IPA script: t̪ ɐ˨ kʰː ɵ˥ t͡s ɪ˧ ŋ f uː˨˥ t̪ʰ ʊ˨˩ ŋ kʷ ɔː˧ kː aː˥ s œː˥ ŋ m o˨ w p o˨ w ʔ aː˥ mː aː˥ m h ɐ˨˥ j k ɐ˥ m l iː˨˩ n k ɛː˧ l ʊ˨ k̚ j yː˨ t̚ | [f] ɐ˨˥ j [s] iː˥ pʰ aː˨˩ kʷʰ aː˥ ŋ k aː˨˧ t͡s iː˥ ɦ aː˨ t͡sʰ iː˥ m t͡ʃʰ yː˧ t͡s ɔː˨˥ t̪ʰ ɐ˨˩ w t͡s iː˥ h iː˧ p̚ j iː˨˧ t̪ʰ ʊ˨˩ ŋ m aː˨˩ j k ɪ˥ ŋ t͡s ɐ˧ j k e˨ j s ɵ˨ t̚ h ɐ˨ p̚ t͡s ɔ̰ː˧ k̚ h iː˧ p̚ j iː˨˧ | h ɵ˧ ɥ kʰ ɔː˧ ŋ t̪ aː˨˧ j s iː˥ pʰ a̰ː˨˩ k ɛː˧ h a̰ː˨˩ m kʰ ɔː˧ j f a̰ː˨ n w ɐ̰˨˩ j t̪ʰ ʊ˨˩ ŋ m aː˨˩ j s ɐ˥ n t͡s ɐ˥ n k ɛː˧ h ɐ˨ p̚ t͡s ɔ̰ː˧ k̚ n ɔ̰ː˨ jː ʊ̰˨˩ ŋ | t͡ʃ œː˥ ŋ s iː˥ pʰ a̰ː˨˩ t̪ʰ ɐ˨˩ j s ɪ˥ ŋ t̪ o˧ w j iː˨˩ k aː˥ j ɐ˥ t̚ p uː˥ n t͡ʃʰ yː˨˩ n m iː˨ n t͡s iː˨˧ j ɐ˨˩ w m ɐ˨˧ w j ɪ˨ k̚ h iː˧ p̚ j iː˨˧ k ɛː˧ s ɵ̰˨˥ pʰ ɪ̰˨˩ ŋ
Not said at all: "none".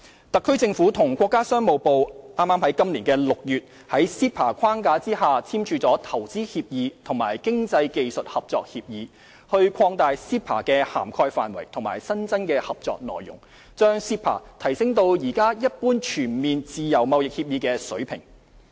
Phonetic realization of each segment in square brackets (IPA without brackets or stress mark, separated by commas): h, s